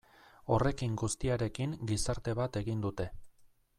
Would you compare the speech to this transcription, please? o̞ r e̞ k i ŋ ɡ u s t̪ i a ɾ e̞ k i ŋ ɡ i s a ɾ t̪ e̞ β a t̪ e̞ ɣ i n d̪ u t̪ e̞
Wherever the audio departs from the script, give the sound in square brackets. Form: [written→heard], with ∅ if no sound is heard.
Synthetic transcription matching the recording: o̞ r e̞ k i ŋ ɡ u s t̪ i a ɾ e̞ k i ŋ ɡ i s a ɾ t̪ e̞ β a t̪ e̞ ɣ i n d̪ u t̪ e̞